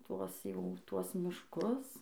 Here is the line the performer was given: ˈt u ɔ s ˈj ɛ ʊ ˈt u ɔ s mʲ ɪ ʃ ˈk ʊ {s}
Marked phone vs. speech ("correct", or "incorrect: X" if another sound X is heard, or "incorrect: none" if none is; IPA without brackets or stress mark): correct